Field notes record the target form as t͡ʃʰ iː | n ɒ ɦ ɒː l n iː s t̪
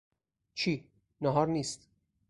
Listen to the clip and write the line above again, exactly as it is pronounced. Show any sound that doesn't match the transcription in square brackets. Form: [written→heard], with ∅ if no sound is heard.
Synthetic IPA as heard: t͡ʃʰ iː | n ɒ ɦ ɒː [l→ɾ] n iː s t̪